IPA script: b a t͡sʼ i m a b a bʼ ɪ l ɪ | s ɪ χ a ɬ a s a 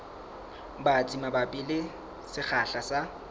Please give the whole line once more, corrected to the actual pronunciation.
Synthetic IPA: b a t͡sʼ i m a b a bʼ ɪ l ɪ | s ɪ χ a ɬ a s a